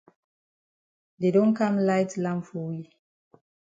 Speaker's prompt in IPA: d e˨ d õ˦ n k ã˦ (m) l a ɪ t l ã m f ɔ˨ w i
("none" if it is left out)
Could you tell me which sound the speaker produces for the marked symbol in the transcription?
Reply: m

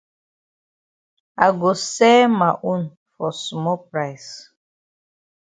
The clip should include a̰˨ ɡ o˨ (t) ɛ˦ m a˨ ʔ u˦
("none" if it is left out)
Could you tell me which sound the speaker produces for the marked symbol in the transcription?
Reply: s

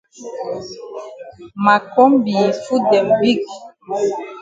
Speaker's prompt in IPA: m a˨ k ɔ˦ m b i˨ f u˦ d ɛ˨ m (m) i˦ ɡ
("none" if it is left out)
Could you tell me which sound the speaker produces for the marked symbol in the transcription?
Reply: b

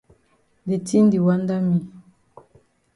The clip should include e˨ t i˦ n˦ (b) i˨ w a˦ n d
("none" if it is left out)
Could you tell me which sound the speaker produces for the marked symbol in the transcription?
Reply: d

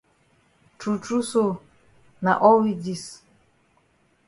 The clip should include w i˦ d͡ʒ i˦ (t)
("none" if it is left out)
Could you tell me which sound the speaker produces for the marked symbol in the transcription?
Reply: s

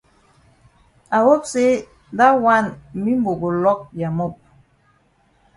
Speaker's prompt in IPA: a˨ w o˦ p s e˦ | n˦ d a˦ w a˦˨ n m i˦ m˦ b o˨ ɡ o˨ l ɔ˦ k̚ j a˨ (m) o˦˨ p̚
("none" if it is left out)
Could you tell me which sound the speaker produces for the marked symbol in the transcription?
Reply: m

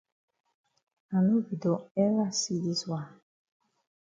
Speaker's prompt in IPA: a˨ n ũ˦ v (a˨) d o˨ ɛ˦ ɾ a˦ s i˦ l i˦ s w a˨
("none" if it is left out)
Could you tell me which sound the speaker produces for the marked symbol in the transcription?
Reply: i˨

